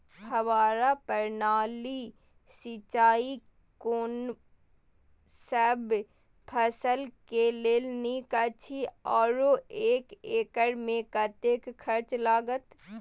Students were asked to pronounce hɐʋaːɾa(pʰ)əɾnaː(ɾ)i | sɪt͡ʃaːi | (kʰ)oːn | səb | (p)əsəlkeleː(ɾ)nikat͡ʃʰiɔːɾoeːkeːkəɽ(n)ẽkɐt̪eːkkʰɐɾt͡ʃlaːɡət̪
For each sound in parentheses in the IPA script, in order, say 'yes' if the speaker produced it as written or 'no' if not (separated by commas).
no, no, no, no, no, no